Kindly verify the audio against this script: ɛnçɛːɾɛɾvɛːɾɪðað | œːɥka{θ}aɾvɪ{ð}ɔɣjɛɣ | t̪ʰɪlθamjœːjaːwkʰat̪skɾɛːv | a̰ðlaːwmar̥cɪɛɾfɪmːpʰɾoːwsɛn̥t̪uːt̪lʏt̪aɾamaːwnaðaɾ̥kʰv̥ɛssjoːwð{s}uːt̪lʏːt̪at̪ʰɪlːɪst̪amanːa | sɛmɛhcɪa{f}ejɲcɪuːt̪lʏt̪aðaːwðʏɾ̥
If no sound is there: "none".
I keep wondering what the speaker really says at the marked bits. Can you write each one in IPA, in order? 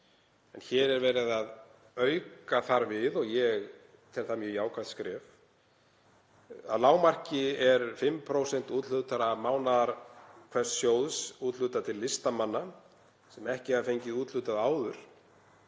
θ, ð, s, f

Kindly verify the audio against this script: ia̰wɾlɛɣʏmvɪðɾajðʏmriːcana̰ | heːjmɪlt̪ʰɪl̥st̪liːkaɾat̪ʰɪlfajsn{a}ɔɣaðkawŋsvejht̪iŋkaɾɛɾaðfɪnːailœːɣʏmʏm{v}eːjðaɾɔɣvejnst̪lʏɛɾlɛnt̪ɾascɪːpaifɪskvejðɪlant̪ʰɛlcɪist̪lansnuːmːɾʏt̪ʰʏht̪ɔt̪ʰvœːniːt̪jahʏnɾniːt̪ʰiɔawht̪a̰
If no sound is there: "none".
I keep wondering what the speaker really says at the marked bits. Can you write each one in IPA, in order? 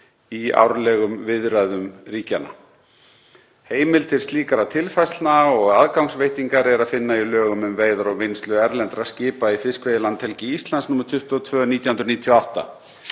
a, v

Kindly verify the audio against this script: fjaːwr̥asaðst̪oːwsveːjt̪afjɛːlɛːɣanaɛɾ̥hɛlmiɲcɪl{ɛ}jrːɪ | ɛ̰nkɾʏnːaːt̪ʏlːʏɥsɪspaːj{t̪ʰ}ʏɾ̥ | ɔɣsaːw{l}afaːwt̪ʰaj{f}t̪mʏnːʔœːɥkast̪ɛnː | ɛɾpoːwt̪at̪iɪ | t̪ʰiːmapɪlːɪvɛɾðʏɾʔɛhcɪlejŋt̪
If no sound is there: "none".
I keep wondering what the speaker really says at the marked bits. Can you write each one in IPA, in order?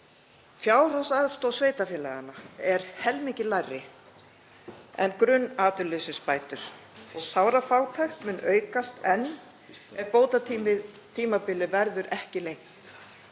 a, t̪, ɾ, x

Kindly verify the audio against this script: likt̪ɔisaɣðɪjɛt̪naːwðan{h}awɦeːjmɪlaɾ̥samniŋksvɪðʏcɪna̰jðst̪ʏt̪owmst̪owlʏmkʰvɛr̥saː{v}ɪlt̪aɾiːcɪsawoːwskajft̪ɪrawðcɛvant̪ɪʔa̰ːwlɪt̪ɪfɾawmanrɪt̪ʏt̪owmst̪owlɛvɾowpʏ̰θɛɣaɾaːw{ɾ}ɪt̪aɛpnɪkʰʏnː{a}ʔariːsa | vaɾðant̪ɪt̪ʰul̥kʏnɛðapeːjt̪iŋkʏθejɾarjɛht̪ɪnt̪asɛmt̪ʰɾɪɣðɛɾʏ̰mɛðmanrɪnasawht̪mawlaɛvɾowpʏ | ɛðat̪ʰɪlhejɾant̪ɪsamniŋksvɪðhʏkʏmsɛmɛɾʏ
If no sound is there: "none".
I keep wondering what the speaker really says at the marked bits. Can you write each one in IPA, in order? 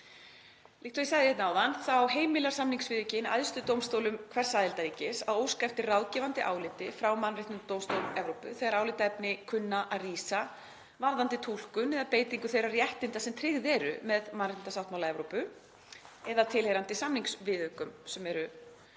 θ, ð, l, a

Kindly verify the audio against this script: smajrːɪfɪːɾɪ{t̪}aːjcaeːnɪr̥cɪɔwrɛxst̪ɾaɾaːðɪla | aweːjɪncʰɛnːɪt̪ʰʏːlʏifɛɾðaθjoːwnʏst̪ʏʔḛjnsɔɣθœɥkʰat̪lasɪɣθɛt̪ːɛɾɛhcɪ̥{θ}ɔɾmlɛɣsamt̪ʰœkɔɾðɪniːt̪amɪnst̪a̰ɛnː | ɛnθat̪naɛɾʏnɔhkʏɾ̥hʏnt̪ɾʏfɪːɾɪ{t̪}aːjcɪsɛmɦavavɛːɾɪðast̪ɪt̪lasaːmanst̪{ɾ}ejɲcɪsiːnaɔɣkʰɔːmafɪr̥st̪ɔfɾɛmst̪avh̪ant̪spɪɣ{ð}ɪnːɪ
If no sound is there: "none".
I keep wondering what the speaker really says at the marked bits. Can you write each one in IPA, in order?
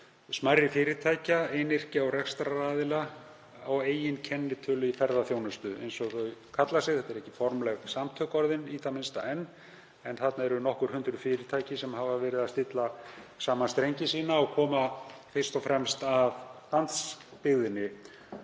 t̪ʰ, f, t̪ʰ, ɾ, ð

